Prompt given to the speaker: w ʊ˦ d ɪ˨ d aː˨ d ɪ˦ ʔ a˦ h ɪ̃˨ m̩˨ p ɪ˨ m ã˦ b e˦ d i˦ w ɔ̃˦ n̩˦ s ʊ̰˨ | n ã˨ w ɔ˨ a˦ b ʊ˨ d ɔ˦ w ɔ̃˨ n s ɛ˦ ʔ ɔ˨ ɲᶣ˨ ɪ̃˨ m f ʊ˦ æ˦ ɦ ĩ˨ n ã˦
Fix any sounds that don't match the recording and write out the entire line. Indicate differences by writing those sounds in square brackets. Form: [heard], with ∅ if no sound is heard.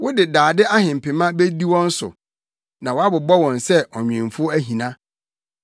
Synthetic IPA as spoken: w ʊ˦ d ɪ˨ d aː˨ d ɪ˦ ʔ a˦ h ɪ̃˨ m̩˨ p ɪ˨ m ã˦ b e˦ d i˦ w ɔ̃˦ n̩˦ s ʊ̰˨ | n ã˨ w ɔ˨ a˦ b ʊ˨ [b] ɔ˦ w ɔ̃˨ n s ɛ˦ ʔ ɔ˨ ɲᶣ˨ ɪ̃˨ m f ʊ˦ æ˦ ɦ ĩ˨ n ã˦